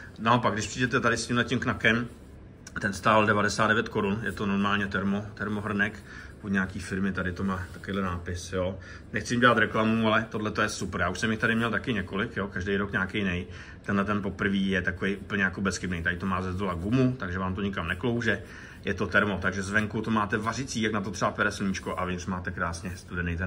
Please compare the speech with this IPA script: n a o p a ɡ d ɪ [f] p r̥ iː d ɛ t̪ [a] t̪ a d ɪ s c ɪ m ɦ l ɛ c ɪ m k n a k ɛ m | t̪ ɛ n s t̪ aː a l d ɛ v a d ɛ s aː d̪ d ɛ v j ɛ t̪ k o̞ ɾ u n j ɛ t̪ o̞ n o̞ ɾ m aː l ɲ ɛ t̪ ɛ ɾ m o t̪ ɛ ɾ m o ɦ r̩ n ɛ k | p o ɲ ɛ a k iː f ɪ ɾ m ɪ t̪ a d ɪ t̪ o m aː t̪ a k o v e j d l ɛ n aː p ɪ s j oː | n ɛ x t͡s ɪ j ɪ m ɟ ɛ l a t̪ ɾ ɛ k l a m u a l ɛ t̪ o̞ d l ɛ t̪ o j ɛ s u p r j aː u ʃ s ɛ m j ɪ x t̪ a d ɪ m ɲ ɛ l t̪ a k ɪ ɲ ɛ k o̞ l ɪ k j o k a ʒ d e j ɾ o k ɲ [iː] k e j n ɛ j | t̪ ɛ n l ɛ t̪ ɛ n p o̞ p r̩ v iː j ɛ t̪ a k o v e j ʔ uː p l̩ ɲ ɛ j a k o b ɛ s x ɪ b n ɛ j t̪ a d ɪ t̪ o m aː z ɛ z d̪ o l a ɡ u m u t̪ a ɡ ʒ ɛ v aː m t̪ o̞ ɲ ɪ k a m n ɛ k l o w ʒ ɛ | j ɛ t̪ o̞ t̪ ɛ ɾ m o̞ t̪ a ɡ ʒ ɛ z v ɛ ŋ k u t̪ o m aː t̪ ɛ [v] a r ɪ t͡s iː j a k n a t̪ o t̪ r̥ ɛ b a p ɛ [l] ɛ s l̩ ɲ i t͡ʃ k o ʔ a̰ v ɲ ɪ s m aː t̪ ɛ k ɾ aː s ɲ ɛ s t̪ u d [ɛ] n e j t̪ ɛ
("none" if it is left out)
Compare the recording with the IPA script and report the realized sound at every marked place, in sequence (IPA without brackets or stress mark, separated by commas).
ʃ, ɛ, aː, v, ɾ, ɛ